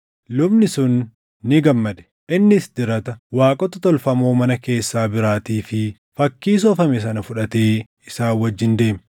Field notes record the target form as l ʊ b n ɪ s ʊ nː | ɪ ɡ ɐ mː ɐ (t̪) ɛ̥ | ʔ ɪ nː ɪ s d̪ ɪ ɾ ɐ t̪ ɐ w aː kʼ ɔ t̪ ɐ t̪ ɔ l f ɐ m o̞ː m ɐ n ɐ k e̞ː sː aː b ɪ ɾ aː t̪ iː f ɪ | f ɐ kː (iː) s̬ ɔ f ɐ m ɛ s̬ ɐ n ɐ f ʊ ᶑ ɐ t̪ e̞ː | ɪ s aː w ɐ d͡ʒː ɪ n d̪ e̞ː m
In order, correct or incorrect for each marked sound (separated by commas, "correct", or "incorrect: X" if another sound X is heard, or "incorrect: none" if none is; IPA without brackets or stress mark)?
incorrect: d̪, correct